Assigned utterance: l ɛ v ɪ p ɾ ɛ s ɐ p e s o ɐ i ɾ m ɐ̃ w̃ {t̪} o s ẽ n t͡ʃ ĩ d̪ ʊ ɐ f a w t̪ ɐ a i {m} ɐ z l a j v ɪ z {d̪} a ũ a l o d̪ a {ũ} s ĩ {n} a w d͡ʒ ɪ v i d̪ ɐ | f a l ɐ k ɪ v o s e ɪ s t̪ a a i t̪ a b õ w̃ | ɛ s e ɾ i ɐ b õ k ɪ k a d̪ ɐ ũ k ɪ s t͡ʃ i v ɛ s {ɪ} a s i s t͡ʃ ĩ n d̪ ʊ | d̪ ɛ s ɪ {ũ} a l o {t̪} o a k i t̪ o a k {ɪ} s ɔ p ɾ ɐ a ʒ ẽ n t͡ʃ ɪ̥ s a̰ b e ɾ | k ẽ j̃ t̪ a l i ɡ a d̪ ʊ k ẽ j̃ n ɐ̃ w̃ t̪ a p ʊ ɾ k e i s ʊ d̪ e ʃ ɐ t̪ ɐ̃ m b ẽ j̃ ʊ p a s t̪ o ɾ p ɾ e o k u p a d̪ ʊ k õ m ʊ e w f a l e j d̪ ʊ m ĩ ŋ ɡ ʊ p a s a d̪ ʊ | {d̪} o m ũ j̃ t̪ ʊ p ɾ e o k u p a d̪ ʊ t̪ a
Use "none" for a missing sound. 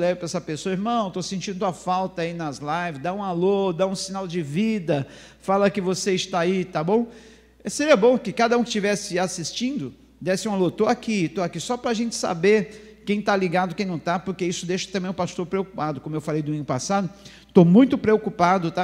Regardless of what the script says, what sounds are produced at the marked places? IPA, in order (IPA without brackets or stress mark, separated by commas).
t̪, n, d̪, ũ, n, ɪ, ũ, t̪, i, t̪